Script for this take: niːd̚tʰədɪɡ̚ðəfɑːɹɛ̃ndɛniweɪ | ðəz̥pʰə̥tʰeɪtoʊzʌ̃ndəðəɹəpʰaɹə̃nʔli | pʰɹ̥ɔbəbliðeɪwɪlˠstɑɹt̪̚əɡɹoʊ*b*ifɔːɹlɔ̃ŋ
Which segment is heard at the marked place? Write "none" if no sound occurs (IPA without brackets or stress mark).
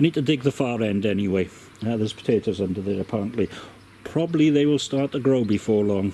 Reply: b